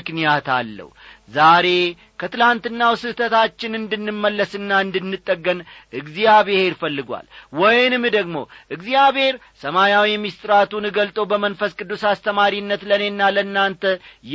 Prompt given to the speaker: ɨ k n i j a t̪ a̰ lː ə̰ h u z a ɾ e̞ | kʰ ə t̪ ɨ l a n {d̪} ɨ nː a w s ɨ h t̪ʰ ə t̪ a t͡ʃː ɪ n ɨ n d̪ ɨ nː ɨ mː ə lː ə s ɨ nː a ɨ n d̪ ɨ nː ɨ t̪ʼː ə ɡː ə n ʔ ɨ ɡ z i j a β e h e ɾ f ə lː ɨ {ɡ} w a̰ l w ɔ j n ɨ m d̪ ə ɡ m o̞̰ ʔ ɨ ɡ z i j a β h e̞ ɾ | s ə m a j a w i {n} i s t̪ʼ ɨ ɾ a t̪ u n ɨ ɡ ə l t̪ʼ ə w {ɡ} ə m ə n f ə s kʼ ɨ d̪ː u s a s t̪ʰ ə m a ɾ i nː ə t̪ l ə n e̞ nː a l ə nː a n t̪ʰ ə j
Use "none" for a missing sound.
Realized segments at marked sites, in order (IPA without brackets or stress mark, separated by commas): t̪, ɡ, m, b